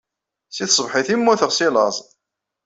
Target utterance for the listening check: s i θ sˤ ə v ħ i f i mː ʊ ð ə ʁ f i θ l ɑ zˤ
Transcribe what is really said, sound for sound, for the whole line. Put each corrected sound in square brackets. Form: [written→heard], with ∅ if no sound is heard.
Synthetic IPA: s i θ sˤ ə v ħ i [f→θ] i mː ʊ [ð→θ] ə ʁ [f→s] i [θ→∅] l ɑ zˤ